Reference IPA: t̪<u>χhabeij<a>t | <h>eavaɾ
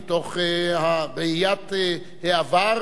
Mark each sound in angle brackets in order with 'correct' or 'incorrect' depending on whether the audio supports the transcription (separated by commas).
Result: incorrect, correct, correct